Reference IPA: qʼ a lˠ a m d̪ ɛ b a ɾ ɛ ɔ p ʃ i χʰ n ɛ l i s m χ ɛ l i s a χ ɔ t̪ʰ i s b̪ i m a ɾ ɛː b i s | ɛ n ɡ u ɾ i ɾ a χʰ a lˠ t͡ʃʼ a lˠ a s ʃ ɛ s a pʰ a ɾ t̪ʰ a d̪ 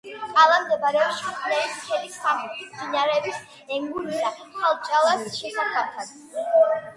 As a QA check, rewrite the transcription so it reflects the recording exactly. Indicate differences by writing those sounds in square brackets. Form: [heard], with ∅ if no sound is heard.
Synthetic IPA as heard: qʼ a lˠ a m d̪ ɛ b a ɾ ɛ ɔ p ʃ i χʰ n ɛ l i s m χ ɛ l i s a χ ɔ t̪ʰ i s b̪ i [n] a ɾ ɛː b i s | ɛ [ŋ] ɡ u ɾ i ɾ a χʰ a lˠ t͡ʃʼ a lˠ a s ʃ ɛ s a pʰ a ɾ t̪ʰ a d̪